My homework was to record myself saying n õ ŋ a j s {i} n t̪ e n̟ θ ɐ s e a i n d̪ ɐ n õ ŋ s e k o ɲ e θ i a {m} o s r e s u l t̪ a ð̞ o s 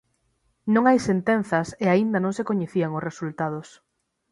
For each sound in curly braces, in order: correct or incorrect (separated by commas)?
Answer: incorrect, incorrect